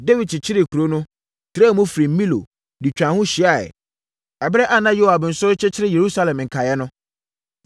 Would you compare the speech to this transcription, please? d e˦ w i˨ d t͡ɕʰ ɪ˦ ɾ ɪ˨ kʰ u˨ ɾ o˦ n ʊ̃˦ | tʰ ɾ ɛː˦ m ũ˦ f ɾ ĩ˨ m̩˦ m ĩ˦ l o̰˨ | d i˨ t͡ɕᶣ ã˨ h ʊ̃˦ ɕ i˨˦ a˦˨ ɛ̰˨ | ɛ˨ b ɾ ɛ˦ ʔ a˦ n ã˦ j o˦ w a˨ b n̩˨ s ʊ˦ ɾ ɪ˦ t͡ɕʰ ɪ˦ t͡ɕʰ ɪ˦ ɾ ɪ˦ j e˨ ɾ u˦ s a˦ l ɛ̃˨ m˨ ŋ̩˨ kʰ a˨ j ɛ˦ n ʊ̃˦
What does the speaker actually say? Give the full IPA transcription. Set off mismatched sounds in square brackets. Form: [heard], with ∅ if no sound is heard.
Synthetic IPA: d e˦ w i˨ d t͡ɕʰ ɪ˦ ɾ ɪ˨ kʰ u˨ ɾ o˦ n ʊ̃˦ | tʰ ɾ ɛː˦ m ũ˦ f ɾ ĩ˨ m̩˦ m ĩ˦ l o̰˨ | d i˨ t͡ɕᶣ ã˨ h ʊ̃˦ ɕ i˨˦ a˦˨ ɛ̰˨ | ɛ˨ b ɾ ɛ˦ ʔ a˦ n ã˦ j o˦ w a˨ b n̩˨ s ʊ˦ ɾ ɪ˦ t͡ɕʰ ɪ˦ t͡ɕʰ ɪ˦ ɾ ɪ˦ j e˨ ɾ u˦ s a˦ l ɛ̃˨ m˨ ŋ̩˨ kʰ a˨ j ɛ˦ n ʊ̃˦